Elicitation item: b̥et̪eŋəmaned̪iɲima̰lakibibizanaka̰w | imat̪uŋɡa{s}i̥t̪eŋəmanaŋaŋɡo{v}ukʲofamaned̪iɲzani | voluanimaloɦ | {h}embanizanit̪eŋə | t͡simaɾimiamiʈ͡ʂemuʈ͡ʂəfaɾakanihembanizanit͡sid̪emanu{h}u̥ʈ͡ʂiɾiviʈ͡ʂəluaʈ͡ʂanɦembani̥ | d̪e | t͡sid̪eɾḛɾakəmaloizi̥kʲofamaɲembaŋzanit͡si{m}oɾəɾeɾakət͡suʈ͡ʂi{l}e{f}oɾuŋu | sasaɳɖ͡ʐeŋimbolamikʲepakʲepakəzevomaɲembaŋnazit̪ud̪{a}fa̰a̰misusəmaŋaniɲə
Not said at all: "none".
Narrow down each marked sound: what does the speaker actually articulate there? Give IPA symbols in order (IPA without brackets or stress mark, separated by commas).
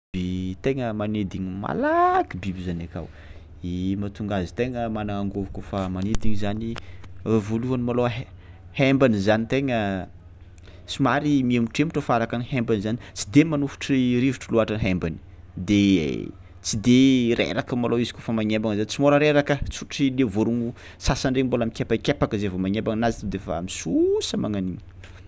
z, v, h, f, m, l, v, e